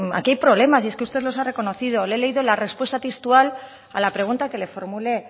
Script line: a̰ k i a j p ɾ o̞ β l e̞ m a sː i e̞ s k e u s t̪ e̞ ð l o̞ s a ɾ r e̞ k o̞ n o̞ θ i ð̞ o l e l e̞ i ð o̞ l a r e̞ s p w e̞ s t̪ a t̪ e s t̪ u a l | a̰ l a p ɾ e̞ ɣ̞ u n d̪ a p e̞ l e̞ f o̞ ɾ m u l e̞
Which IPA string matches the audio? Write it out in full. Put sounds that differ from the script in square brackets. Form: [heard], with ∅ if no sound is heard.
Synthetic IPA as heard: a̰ k i a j p ɾ o̞ β l e̞ m a [s] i e̞ s k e u s t̪ e̞ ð l o̞ s a [∅] r e̞ k o̞ n o̞ θ i ð̞ o l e l e̞ i ð o̞ l a r e̞ s p w e̞ s t̪ a t̪ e s t̪ u a l | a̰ l a p ɾ e̞ ɣ̞ u n [t̪] a [k] e̞ l e̞ f o̞ ɾ m u l e̞